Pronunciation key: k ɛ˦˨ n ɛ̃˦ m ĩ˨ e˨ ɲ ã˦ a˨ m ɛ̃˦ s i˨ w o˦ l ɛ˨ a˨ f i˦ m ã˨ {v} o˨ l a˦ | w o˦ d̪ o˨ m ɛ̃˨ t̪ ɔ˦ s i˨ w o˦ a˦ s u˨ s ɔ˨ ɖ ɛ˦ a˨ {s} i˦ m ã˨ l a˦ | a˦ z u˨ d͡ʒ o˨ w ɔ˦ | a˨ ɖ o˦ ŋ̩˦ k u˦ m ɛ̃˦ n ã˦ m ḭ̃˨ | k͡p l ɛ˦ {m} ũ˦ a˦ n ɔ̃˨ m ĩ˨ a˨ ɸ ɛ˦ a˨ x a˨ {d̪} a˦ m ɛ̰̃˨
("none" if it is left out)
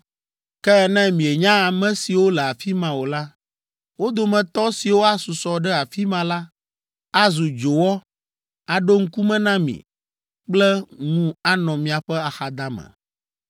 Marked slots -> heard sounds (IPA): w, f, ŋ, d̪

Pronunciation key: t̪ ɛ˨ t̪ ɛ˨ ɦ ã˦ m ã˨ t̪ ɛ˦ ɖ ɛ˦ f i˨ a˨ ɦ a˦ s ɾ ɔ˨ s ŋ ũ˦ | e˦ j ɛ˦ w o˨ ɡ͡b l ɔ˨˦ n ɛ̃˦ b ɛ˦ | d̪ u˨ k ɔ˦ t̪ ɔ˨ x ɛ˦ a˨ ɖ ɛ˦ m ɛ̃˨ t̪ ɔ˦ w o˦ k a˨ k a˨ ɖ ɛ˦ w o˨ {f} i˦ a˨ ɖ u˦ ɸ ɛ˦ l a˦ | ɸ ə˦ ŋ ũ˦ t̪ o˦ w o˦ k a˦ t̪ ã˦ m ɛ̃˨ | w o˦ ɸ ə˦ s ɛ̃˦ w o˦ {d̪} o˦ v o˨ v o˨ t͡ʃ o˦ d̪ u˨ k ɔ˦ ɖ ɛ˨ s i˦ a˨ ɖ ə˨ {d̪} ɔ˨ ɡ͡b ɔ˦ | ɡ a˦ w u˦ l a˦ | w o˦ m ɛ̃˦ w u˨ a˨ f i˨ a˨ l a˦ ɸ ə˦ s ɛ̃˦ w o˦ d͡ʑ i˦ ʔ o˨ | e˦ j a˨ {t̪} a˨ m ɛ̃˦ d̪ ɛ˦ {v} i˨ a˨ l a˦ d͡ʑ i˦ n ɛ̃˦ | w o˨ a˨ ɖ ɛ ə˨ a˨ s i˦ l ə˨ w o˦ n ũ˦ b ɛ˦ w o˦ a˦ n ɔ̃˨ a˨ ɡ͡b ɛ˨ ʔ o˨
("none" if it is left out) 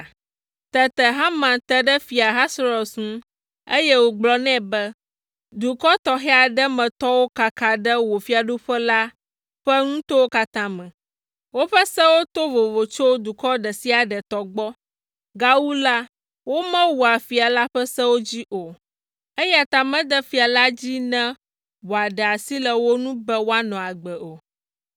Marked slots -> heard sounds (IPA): f, t̪, t̪, t̪, f

